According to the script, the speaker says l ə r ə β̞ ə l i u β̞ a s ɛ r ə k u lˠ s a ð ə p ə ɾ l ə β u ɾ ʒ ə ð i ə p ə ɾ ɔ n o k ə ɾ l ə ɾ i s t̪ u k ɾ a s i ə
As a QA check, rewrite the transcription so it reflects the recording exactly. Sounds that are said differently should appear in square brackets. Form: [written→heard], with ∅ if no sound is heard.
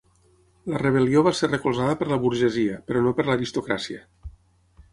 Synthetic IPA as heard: l ə r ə β̞ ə l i [u→o] β̞ a s [ɛ→e] r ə k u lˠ [s→z] a ð ə p ə ɾ l ə β u ɾ ʒ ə [ð→z] i ə p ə ɾ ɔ n o [k→p] ə ɾ l ə ɾ i s t̪ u k ɾ a s i ə